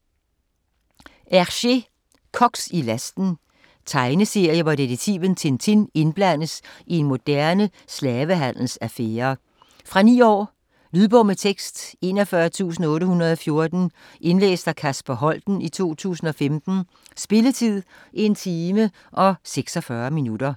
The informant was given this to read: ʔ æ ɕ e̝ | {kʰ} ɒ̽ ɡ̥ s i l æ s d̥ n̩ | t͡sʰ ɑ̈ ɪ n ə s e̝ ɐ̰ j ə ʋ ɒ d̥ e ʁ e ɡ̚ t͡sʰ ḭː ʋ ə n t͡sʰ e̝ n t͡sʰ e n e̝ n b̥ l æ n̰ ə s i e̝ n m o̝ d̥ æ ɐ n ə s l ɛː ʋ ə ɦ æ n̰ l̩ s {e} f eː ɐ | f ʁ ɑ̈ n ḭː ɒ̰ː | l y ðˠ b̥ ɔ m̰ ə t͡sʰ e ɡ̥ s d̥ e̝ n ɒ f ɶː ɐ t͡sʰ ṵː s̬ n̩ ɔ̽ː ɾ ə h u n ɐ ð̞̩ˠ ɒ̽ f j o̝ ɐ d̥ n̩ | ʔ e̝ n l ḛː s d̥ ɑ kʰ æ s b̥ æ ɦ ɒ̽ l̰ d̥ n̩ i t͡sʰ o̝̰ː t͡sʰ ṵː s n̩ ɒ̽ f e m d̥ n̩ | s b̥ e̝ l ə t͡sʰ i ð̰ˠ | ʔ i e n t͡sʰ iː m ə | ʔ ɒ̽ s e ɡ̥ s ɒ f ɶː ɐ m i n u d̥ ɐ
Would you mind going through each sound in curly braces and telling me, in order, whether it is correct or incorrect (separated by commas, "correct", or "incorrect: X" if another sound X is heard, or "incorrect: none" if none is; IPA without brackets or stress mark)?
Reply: correct, incorrect: æ